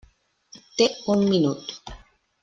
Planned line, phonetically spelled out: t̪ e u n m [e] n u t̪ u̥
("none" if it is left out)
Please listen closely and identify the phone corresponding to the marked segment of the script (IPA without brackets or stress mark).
i